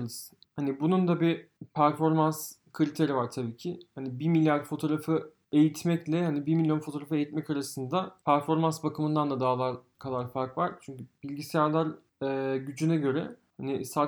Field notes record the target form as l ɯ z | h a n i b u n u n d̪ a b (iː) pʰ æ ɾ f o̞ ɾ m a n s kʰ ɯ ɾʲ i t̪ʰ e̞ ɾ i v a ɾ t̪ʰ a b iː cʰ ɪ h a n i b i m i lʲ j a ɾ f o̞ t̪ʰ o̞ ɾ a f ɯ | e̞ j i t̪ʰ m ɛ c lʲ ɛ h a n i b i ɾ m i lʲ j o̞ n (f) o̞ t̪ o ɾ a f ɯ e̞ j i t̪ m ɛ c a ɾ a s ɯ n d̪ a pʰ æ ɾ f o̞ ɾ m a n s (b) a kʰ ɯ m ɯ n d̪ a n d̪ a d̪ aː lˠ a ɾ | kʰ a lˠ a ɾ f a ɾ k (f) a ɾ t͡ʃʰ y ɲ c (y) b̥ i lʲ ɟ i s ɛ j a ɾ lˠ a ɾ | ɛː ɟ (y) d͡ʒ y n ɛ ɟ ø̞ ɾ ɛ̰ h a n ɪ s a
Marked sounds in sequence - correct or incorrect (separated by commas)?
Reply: incorrect, correct, correct, incorrect, correct, correct